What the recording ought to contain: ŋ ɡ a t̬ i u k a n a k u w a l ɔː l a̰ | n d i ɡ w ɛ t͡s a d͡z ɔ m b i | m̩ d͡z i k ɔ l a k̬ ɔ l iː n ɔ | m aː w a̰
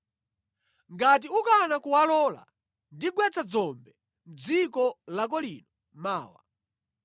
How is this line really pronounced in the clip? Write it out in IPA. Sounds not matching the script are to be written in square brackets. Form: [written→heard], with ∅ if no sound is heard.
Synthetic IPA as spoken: ŋ ɡ a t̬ i u k a n a k u w a l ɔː l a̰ | n d i ɡ w ɛ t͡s a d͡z ɔ m b [i→ɛ] | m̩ d͡z i k ɔ l a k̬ ɔ l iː n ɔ | m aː w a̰